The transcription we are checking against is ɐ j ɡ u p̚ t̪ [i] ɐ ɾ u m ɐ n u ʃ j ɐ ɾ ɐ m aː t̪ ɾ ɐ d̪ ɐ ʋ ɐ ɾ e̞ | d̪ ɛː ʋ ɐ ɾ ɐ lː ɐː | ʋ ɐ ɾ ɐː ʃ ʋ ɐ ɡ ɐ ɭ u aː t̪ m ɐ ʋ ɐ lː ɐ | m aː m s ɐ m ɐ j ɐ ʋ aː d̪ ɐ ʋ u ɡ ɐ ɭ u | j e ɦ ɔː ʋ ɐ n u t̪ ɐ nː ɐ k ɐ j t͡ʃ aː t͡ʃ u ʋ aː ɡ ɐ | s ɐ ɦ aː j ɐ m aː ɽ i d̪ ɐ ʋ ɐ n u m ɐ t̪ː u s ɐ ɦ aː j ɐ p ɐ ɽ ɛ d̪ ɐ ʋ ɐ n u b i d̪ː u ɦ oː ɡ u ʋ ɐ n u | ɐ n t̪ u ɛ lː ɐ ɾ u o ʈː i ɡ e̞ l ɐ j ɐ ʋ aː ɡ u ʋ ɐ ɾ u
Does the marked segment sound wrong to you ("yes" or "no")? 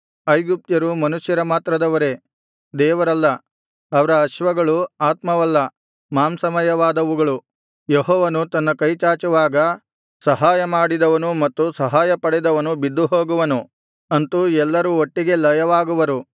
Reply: yes